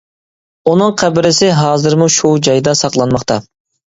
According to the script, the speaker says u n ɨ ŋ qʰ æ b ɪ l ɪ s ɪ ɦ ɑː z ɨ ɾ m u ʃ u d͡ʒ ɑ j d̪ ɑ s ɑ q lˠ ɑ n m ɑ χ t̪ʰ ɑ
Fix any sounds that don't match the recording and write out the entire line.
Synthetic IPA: u n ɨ ŋ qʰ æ b ɪ ɾ ɪ s ɪ ɦ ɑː z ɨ ɾ m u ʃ u d͡ʒ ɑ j d̪ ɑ s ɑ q lˠ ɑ n m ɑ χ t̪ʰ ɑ